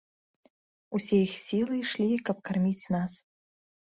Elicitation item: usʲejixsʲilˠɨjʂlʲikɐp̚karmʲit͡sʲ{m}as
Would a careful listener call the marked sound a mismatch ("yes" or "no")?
yes